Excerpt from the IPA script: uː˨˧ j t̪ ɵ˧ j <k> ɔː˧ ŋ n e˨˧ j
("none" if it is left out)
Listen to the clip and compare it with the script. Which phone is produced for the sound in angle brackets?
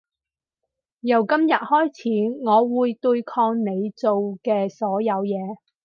kʰ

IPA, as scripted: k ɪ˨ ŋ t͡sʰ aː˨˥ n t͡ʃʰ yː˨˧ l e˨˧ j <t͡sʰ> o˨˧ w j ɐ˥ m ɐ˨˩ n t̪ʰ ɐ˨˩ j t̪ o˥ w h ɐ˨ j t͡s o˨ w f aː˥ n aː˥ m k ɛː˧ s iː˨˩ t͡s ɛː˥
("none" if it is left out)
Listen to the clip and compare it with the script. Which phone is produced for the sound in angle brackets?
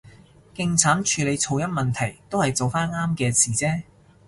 t͡sʰ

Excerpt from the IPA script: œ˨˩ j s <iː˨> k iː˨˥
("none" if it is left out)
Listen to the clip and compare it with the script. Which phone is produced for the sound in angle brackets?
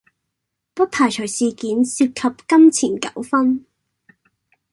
iː˨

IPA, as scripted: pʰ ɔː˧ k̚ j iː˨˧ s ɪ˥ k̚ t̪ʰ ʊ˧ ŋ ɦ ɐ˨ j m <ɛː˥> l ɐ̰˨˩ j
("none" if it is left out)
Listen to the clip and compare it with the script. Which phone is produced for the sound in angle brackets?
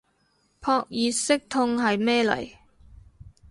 ɛː˥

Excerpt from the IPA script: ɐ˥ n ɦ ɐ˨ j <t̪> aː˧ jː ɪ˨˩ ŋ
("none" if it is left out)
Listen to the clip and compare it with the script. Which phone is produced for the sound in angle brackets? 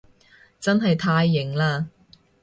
t̪ʰ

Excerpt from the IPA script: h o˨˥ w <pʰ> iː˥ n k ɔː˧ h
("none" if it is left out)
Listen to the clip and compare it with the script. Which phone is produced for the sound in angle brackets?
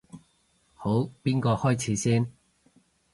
p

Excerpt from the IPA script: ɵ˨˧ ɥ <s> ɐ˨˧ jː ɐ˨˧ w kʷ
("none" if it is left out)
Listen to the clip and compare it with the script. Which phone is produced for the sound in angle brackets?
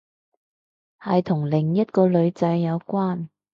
t͡s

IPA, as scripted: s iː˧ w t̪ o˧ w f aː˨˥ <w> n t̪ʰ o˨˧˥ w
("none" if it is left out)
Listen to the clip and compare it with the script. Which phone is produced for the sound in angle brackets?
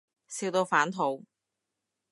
none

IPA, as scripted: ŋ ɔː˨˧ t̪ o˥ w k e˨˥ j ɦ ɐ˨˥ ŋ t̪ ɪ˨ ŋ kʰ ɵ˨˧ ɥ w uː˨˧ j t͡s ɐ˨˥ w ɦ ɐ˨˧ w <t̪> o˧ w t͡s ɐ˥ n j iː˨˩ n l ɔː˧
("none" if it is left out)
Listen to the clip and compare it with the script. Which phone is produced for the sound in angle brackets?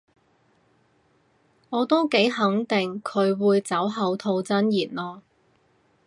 t̪ʰ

